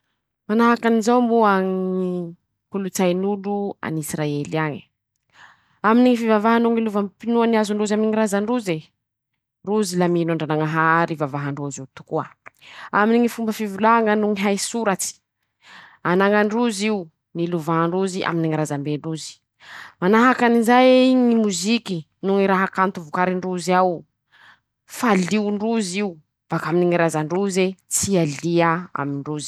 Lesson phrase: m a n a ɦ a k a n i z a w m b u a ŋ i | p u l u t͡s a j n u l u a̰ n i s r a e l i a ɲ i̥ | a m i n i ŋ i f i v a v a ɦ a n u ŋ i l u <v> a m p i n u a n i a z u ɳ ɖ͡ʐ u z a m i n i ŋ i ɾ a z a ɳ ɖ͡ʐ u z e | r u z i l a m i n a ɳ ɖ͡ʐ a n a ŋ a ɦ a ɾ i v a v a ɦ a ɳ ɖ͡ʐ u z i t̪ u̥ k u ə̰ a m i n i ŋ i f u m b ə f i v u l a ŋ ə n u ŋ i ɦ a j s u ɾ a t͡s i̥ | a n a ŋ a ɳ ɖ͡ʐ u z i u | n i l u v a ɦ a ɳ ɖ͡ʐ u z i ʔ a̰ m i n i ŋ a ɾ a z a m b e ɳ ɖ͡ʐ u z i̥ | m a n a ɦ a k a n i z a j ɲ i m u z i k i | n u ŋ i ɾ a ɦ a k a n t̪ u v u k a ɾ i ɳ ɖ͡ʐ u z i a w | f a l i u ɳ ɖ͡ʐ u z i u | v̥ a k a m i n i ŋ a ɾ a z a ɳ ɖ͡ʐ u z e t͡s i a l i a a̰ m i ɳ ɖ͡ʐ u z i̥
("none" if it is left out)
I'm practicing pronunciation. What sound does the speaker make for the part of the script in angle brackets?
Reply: v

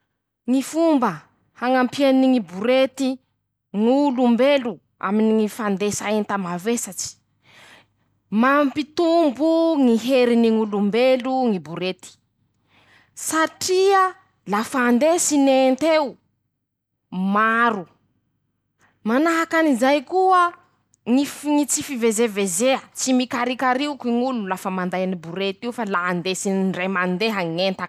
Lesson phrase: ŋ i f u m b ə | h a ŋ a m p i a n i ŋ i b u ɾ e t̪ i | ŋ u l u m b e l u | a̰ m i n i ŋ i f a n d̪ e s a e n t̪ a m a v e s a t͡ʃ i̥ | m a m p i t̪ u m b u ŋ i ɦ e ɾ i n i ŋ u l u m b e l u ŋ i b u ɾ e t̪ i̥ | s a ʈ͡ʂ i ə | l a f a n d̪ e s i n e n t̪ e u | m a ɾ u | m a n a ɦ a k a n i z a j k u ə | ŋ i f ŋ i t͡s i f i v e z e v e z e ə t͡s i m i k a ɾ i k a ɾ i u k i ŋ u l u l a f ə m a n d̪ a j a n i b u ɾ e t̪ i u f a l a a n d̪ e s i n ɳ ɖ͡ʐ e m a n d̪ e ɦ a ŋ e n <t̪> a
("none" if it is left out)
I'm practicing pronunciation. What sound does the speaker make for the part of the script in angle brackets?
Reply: t̪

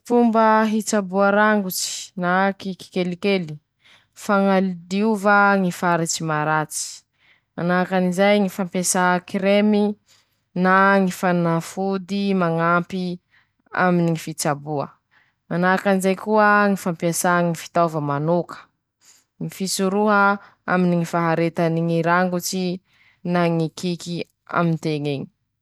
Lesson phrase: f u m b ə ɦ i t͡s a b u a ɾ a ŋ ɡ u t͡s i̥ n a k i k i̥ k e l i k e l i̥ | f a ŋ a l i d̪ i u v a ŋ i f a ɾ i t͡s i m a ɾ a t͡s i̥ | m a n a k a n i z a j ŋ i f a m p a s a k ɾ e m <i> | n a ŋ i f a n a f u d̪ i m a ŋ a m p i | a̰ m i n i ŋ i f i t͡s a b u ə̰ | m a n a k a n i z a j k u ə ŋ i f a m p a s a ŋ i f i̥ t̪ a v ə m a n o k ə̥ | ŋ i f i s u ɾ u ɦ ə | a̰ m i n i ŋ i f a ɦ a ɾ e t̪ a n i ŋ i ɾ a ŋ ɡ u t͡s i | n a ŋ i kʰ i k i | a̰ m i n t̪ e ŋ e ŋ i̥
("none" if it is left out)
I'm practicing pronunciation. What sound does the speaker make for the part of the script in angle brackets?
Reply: i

